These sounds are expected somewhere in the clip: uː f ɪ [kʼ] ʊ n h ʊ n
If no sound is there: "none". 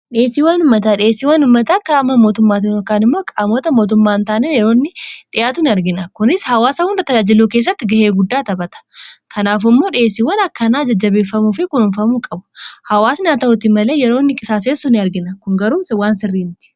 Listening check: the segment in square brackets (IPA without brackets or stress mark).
k